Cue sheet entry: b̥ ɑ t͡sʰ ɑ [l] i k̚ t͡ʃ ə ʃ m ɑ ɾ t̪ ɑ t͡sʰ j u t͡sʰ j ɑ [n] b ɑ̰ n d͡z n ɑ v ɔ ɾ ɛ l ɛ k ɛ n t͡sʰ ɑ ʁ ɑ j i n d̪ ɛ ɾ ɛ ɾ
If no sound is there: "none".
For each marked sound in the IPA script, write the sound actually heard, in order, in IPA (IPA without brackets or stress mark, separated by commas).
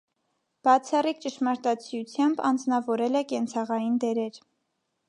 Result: r, m